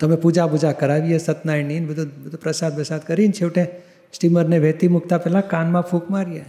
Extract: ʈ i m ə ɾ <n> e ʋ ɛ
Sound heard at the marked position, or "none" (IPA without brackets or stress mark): n